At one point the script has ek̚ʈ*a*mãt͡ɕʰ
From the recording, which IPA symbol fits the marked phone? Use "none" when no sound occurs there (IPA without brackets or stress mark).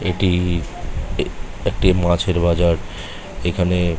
i